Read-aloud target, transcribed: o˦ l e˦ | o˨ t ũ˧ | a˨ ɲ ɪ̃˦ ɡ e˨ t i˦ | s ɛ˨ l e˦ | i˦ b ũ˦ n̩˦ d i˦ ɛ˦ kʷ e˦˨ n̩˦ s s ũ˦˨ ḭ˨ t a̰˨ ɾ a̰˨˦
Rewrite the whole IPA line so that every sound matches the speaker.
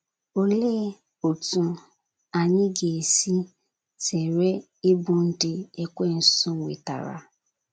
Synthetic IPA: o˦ l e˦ | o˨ t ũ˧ | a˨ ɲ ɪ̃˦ ɡ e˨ s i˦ | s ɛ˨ ɾ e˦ | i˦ b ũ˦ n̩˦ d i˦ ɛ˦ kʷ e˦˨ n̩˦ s s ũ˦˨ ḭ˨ t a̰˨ ɾ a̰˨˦